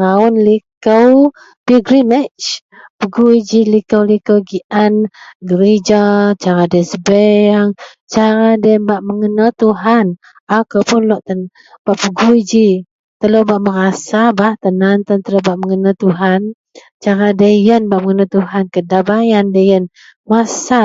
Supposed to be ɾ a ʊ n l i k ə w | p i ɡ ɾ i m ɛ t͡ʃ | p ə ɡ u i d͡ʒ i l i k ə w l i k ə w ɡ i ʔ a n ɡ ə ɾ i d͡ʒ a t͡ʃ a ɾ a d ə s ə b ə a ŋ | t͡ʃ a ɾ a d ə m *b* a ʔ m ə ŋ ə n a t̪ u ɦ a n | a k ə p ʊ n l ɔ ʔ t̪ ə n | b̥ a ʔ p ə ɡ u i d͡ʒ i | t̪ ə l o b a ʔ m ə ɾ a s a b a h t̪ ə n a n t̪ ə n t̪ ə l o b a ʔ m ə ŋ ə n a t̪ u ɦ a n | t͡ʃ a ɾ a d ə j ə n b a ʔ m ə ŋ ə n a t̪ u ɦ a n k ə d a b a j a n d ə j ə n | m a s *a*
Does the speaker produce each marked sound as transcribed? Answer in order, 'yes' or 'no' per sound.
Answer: yes, yes

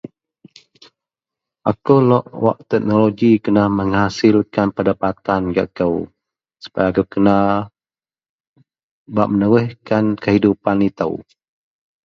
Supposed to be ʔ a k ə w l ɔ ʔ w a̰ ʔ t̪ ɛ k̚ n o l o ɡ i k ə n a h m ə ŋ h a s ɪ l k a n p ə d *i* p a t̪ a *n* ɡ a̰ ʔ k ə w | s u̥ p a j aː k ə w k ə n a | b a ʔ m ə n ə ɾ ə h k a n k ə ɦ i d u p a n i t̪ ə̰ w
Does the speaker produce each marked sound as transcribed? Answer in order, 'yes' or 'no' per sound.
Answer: no, yes

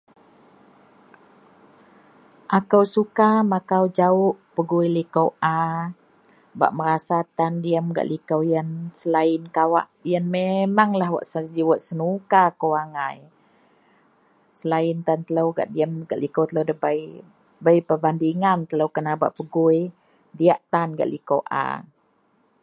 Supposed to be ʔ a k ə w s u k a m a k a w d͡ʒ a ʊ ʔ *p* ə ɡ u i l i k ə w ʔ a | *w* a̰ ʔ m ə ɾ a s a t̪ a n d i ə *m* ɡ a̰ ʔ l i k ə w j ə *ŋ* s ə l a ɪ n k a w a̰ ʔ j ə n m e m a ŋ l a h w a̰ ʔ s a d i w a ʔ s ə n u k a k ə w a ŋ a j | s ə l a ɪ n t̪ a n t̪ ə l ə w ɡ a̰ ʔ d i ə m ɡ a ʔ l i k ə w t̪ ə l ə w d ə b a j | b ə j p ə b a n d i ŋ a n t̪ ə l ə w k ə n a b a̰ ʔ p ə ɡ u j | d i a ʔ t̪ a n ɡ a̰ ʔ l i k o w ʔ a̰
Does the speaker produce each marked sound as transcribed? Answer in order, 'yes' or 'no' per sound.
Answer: yes, no, yes, no

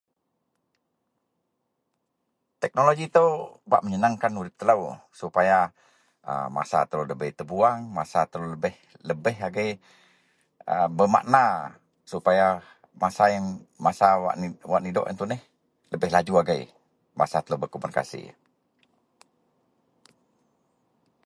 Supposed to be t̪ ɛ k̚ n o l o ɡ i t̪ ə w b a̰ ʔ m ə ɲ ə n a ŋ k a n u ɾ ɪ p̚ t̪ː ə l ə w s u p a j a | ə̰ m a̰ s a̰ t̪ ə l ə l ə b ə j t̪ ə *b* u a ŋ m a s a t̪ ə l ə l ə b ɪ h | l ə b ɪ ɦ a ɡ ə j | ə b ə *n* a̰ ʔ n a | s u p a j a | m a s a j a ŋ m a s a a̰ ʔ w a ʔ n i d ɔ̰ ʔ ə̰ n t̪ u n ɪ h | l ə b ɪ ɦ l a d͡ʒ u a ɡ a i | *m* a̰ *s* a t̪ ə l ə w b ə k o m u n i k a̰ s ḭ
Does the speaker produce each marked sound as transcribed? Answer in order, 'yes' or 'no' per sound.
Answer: yes, no, yes, yes

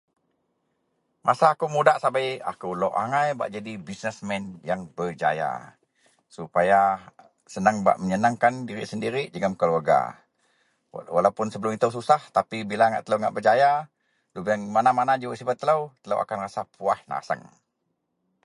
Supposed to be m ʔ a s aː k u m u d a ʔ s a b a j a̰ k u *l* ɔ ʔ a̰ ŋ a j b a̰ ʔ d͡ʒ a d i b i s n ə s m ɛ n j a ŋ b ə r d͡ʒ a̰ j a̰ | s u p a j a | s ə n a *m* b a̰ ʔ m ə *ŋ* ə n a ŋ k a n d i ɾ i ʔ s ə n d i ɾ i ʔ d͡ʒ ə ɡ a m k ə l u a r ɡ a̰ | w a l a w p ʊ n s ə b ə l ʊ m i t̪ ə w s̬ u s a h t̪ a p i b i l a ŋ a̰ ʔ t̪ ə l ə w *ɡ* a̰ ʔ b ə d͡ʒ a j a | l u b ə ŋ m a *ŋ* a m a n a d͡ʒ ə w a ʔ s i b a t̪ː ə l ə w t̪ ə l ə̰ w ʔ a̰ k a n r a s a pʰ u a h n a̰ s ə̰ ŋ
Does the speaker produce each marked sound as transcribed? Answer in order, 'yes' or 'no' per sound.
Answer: yes, no, no, no, no

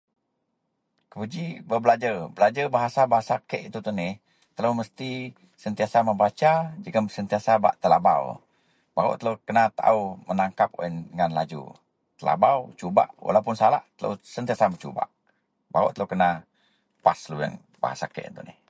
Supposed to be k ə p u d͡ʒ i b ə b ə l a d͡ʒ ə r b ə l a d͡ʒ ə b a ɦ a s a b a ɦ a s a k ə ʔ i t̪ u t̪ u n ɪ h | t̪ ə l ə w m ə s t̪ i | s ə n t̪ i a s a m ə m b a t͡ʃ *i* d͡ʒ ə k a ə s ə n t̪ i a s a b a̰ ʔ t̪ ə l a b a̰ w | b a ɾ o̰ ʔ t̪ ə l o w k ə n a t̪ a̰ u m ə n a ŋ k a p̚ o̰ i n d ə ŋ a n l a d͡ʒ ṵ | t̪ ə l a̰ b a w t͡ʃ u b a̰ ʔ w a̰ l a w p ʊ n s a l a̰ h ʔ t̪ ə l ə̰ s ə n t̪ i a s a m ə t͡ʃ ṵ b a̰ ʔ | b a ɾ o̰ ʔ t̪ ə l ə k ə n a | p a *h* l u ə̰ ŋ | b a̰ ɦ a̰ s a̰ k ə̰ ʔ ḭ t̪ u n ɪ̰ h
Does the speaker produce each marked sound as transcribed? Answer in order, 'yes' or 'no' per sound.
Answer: no, no

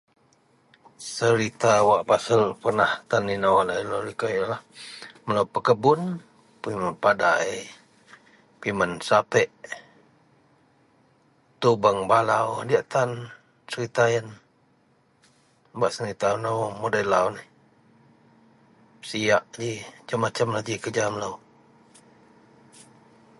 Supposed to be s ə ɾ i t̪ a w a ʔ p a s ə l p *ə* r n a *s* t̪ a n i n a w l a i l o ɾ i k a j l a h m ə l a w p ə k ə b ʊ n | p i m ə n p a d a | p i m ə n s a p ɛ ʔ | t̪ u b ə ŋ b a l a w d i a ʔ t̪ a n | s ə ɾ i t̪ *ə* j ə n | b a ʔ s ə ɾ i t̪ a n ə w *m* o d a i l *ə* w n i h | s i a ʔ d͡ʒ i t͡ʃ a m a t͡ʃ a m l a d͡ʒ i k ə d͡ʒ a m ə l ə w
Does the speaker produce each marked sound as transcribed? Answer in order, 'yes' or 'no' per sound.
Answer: yes, no, no, yes, no

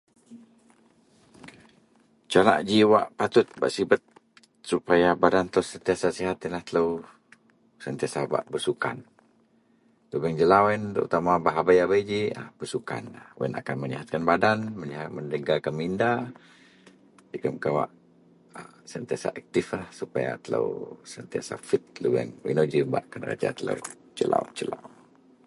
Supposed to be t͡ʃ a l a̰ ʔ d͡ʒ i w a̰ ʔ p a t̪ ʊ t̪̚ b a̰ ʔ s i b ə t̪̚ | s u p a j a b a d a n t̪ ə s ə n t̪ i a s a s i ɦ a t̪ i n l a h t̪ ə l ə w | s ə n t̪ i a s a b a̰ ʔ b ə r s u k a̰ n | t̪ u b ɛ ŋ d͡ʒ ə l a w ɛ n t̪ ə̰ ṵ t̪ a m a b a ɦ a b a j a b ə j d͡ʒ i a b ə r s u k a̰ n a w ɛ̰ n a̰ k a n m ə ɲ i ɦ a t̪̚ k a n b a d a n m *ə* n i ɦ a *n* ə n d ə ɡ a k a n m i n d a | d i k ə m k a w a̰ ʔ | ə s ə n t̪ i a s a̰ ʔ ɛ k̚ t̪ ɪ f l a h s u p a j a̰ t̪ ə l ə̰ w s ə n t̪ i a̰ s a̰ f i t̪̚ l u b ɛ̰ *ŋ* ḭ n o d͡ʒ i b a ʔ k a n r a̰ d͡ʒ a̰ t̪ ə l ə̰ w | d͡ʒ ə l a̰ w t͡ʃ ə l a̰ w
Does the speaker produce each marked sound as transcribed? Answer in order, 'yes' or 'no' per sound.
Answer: yes, no, yes

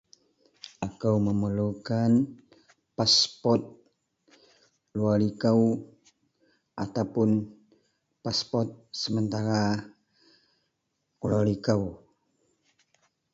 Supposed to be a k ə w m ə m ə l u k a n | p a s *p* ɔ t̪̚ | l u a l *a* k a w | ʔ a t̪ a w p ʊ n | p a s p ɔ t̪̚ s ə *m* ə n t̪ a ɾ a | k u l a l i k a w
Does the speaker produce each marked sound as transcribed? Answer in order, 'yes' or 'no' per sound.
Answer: yes, no, yes

